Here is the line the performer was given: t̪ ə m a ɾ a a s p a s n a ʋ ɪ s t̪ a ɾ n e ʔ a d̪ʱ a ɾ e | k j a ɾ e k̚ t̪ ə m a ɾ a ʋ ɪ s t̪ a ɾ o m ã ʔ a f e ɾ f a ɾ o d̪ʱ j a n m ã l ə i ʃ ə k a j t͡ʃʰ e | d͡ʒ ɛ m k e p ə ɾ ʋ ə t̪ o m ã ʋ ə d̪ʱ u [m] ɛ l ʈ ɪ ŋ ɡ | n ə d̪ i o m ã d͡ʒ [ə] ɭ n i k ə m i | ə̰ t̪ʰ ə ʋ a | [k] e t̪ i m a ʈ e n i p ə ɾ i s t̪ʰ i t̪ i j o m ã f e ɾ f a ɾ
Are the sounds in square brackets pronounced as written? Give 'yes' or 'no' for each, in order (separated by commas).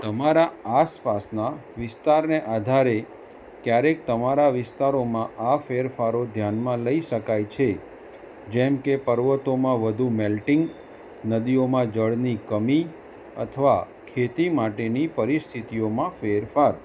yes, yes, no